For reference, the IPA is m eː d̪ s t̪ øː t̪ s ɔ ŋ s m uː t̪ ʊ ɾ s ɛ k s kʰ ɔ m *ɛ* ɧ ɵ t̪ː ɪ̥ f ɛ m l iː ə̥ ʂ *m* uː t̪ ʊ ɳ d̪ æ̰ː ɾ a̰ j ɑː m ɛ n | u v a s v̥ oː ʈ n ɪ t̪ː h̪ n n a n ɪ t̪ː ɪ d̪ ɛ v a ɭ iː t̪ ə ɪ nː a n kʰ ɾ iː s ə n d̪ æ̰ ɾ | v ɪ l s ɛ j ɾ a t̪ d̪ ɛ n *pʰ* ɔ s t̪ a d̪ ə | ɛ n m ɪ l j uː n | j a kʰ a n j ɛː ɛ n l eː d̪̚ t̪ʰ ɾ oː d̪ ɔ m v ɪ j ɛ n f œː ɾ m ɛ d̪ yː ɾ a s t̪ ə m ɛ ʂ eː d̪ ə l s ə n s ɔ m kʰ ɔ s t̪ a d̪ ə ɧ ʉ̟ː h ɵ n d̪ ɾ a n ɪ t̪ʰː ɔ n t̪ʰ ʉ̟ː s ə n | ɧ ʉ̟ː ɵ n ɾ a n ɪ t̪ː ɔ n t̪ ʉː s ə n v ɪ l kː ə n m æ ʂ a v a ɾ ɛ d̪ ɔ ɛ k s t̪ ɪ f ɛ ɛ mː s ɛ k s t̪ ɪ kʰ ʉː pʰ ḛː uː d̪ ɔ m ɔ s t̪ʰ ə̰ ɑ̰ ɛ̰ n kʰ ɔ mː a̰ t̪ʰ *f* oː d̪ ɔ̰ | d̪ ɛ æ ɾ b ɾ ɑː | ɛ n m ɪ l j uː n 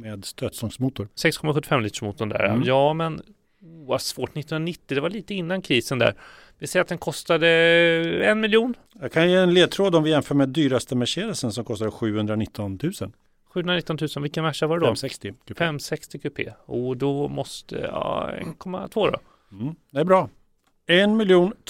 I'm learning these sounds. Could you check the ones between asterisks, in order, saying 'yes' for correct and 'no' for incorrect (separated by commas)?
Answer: no, yes, no, no